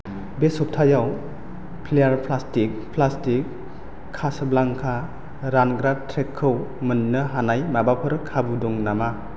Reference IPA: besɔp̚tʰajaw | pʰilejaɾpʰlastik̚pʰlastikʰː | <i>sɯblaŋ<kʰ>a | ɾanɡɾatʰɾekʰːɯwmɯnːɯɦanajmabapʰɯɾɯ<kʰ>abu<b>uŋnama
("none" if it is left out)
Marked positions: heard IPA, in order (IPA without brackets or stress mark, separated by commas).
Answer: a, kʰ, kʰ, d